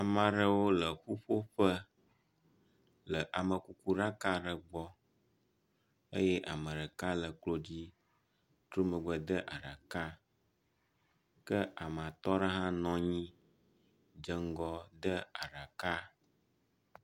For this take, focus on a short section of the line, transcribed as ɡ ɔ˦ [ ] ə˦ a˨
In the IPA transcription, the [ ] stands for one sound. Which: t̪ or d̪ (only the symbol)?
d̪